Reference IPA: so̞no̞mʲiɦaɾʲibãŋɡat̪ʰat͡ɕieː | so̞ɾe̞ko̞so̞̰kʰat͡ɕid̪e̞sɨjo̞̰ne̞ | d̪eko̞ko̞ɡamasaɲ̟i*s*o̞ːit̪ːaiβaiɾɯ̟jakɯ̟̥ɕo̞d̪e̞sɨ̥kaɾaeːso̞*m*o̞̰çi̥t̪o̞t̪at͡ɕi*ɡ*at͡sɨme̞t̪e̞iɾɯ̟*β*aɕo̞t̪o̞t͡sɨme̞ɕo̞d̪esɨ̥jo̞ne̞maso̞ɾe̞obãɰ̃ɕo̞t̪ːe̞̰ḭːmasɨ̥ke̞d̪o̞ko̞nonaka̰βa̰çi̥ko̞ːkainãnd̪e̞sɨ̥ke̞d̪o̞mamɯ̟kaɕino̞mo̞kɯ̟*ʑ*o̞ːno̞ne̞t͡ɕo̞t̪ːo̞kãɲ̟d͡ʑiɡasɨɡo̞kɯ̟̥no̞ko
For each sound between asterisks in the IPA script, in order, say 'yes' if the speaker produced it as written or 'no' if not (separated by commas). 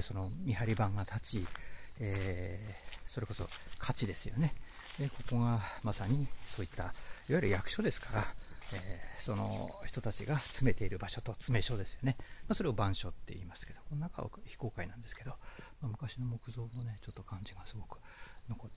yes, no, yes, no, no